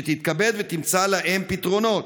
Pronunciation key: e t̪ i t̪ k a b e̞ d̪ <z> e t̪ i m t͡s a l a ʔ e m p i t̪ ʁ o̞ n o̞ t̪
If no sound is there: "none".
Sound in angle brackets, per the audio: v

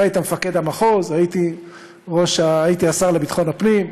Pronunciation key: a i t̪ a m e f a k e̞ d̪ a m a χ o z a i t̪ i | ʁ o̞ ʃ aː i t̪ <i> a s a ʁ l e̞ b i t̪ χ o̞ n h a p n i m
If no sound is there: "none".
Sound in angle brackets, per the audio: i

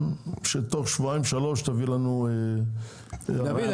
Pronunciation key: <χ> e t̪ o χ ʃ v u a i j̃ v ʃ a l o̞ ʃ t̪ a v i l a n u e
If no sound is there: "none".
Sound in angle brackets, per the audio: ʃ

